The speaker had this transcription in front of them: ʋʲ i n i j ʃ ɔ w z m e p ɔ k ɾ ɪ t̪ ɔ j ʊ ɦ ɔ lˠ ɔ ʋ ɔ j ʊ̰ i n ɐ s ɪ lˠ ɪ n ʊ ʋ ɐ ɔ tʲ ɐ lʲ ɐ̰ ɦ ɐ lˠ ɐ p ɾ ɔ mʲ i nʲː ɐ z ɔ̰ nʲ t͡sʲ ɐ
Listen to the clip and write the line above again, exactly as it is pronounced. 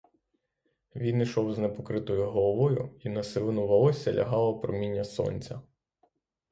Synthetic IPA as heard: ʋʲ i n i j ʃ ɔ w z n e p ɔ k ɾ ɪ t̪ ɔ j ʊ ɦ ɔ lˠ ɔ ʋ ɔ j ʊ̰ i n ɐ s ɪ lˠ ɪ n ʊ ʋ ɐ ɔ sʲ ɐ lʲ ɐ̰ ɦ ɑ lˠ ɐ p ɾ ɔ mʲ i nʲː ɐ s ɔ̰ nʲ t͡sʲ ɐ